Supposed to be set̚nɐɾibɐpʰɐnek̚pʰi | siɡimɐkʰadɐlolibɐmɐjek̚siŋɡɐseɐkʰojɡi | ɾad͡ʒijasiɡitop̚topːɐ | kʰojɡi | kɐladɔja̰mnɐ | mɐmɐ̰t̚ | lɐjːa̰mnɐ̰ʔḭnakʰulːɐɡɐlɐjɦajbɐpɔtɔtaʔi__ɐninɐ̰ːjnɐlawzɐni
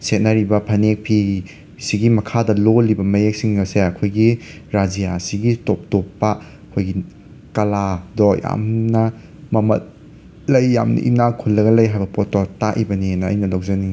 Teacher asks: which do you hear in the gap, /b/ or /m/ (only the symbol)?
b